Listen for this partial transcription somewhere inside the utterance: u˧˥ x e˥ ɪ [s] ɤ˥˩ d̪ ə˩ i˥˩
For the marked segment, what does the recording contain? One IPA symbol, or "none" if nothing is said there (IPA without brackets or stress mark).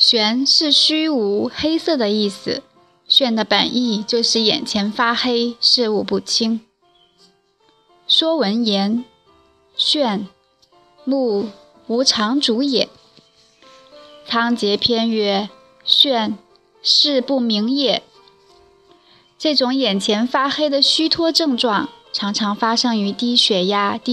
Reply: s